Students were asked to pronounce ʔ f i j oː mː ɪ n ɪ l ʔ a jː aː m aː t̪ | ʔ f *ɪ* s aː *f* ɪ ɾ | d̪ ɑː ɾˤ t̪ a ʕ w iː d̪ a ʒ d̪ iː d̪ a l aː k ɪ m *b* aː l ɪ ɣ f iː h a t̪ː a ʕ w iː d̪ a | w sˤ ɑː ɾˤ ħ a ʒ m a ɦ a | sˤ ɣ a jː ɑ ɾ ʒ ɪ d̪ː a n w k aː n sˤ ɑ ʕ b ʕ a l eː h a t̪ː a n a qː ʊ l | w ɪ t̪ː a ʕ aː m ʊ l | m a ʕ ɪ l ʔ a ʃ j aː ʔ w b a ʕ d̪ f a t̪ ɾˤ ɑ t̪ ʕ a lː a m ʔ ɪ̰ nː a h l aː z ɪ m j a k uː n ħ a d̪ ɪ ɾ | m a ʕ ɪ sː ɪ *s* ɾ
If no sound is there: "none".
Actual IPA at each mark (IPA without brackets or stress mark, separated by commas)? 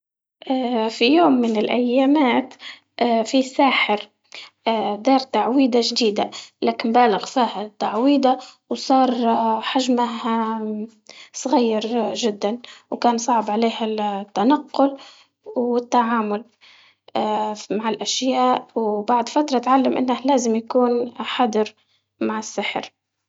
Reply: i, ħ, b, ħ